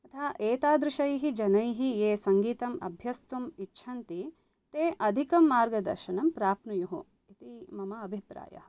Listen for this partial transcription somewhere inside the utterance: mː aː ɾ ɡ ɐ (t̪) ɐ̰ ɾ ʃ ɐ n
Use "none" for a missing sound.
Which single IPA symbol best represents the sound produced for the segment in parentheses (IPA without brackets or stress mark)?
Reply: d̪